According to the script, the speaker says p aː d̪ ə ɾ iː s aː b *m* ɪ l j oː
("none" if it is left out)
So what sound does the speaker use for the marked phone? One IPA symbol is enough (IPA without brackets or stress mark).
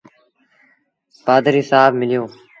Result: m